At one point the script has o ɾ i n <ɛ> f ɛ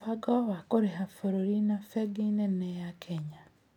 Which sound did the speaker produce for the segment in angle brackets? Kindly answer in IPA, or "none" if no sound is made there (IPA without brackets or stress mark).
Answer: a